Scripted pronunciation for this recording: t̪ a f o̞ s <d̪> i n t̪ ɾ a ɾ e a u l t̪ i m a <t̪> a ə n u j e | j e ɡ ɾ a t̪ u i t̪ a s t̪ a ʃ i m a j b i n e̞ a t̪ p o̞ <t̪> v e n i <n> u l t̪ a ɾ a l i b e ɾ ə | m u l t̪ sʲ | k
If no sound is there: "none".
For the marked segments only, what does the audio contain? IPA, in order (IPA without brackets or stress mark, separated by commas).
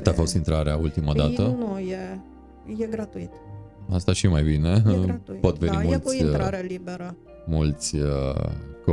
t̪, d̪, t̪, m